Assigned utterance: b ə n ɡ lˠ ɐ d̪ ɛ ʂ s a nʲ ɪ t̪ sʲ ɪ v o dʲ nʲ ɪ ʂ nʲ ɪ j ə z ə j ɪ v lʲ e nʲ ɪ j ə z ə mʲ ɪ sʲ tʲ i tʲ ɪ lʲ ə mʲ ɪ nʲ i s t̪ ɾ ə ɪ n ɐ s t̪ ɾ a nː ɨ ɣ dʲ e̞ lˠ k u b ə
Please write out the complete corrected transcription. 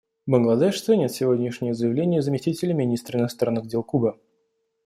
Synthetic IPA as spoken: b ə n ɡ lˠ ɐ d̪ ɛ ʂ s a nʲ ɪ t̪ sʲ ɪ v o dʲ nʲ ɪ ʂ nʲ ɪ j ə z ə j ɪ v lʲ e nʲ ɪ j ə z ə mʲ ɪ sʲ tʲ i tʲ ɪ lʲ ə mʲ ɪ nʲ i s t̪ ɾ ə ɪ n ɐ s t̪ ɾ a nː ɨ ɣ dʲ e̞ lˠ k u b ə